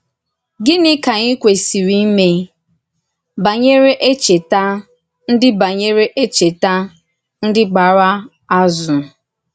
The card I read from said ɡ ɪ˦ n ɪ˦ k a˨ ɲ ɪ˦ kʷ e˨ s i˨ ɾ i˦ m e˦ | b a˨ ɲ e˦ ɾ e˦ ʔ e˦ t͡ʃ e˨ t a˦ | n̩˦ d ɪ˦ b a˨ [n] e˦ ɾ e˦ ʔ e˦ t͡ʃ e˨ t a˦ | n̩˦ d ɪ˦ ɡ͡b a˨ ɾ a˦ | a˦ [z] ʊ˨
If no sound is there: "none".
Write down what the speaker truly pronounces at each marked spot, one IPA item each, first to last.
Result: ɲ, z

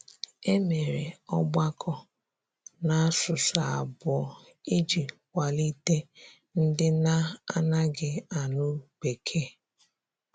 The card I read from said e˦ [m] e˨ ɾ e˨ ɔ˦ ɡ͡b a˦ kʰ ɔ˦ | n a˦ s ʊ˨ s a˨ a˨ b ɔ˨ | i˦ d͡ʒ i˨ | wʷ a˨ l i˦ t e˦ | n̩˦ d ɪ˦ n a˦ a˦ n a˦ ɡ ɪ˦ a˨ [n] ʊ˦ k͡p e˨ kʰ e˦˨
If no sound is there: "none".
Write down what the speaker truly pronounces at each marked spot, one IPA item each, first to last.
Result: m, n

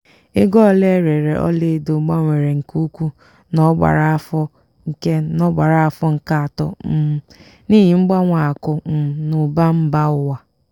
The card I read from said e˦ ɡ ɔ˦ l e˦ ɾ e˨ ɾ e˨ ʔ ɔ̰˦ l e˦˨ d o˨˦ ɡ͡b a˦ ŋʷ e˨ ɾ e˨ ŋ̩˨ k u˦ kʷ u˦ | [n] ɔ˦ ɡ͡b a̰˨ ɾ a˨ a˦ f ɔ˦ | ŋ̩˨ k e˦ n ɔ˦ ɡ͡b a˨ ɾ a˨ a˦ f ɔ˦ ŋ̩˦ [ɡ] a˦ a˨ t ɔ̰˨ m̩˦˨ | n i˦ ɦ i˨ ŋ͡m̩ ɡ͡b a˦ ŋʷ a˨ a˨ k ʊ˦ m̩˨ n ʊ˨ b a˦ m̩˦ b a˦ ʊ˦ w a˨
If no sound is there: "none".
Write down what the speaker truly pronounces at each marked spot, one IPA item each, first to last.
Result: n, k

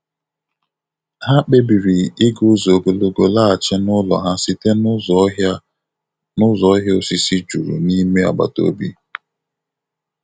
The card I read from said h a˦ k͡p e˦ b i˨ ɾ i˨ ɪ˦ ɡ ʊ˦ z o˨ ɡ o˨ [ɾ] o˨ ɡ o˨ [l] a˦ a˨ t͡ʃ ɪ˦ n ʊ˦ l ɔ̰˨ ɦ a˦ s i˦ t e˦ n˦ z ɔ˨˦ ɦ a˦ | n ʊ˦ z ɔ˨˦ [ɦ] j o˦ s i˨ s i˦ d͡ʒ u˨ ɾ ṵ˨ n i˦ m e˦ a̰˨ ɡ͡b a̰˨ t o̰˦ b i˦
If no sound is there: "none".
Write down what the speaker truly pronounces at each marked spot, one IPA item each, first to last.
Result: l, l, ɦ

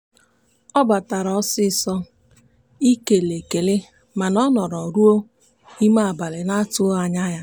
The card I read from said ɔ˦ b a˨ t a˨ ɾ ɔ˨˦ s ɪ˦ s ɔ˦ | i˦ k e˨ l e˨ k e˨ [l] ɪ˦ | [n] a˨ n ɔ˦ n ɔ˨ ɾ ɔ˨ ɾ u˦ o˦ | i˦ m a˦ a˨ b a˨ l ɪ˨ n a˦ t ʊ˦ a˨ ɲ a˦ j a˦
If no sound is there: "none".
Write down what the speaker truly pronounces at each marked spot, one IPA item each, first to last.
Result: l, m

